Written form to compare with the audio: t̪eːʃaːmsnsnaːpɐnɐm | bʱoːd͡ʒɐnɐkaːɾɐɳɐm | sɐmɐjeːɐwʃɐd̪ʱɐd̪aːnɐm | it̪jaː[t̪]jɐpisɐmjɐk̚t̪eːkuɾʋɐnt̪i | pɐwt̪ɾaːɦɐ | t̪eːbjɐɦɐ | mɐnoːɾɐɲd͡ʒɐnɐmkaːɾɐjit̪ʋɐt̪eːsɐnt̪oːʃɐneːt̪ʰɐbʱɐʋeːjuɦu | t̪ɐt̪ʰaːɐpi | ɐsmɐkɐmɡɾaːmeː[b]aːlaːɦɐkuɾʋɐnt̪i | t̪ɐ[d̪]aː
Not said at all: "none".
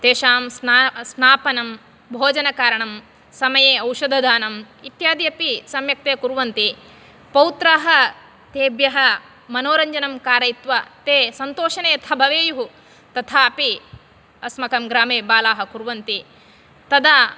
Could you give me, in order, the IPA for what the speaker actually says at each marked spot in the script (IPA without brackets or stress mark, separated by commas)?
d̪, b, d̪